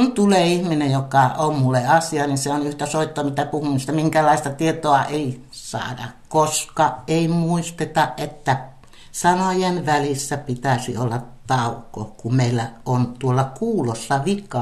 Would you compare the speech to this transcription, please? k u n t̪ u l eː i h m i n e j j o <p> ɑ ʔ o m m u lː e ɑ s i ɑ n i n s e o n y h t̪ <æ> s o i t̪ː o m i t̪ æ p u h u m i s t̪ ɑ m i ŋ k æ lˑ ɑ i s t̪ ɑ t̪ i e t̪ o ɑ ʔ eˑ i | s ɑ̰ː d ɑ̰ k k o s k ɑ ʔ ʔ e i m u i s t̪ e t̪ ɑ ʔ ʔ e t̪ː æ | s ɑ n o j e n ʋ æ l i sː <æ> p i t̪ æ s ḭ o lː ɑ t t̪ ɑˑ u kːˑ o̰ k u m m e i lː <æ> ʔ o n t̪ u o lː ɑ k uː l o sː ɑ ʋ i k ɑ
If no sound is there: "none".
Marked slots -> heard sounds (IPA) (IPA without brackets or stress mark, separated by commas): k, æ, æ, æ